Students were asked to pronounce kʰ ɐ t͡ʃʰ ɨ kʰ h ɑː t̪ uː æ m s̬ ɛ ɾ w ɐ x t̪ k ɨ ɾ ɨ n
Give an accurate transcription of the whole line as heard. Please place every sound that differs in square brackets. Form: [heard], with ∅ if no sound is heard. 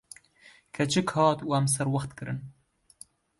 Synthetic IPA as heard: kʰ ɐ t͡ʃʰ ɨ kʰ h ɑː t̪ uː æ m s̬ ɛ ɾ w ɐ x t̪ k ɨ ɾ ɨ n

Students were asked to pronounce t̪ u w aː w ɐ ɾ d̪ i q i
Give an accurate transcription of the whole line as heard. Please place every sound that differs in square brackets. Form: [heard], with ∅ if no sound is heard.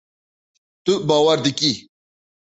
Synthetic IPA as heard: t̪ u [b] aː w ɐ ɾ d̪ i [k] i

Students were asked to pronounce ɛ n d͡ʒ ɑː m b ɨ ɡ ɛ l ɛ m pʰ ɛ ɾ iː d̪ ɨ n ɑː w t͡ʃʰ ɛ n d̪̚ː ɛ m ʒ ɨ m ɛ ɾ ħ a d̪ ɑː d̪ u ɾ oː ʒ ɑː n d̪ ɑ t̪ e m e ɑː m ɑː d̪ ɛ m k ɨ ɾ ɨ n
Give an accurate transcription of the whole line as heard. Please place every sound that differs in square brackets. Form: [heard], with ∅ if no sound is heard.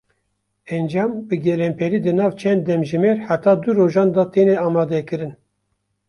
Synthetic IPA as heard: ɛ n d͡ʒ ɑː m b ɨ ɡ ɛ l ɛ m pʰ ɛ ɾ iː d̪ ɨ n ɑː [v] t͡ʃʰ ɛ n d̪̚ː ɛ m ʒ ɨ m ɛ ɾ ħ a [t̪] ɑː d̪ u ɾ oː ʒ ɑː n d̪ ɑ t̪ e [n] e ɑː m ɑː d̪ ɛ [∅] k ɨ ɾ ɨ n

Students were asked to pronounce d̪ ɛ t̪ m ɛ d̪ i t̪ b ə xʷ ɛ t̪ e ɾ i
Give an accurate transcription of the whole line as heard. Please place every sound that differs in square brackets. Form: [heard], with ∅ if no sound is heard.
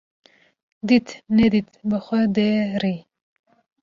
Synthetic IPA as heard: d̪ [i] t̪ [n] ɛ d̪ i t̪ b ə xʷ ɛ [d̪] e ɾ i

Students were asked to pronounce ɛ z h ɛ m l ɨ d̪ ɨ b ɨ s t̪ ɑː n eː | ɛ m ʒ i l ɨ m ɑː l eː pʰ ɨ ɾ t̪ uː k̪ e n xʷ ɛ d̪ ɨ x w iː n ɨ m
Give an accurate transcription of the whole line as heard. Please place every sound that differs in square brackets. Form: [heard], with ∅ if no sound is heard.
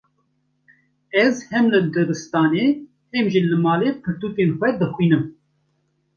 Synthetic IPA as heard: ɛ z h ɛ m l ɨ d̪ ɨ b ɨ s t̪ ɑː n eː | ɛ m ʒ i l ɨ m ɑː l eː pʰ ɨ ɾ t̪ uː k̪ e n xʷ ɛ d̪ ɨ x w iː n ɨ m

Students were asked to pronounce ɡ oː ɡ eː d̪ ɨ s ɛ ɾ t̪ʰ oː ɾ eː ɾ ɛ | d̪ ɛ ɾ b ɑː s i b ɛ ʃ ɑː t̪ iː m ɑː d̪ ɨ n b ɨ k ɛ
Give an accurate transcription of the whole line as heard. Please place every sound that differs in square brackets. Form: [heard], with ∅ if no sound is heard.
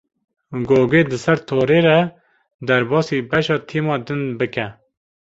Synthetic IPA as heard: ɡ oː ɡ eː d̪ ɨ s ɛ ɾ t̪ʰ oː ɾ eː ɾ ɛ | d̪ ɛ ɾ b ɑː s i b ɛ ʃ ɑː [t̪ʰ] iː m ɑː d̪ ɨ n b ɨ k ɛ

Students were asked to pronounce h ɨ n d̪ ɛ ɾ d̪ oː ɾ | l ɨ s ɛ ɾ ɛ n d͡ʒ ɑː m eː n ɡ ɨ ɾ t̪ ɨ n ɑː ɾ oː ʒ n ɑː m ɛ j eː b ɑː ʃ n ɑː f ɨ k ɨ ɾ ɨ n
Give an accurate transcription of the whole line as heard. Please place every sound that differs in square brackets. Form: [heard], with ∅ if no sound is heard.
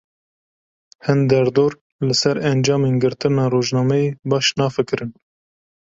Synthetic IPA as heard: h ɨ n d̪ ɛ ɾ d̪ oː ɾ | l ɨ s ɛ ɾ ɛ n d͡ʒ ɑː m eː n ɡ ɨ ɾ t̪ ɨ n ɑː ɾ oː ʒ n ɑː m ɛ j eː b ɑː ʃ n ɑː f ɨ k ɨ ɾ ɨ n

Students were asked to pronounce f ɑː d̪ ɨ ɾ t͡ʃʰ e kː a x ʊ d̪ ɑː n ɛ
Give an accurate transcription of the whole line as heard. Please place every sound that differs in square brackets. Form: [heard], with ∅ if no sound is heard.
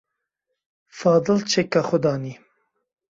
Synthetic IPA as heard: f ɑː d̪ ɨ [l] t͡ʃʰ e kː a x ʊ d̪ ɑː n [i]

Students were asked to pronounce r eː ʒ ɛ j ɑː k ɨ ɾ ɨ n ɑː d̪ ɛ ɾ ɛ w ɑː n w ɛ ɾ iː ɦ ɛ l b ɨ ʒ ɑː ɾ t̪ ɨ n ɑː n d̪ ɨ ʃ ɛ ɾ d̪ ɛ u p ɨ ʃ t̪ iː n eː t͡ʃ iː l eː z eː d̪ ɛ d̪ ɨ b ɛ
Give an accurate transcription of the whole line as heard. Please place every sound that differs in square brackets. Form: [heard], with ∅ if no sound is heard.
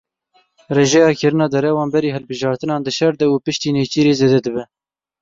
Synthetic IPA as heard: r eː ʒ ɛ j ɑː k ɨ ɾ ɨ n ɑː d̪ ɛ ɾ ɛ w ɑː n [b] ɛ ɾ iː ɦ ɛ l b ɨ ʒ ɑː ɾ t̪ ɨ n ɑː n d̪ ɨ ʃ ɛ ɾ d̪ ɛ u p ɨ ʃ t̪ iː n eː t͡ʃ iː [ɾ] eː z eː d̪ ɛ d̪ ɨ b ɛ

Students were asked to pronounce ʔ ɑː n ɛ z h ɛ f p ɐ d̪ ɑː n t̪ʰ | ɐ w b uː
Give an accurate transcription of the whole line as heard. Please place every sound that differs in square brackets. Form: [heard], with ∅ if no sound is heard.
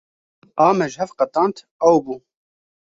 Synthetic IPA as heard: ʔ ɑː [m] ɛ [ʒ] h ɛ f [q] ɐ [t̪] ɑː n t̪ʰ | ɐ w b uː

